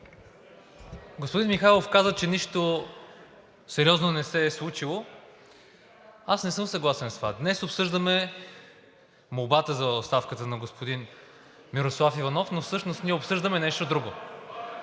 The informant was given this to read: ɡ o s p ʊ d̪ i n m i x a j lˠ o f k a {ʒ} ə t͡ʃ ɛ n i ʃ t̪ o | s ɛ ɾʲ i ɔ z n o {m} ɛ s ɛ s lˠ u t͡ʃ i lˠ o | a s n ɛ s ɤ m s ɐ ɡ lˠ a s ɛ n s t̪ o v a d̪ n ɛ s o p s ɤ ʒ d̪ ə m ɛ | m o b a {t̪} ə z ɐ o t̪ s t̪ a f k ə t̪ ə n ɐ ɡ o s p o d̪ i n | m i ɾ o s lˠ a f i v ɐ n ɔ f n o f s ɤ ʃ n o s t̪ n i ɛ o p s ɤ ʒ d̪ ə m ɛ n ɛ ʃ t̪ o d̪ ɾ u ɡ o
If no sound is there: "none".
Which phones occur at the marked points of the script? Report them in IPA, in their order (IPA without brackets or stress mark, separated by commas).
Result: z, n, t̪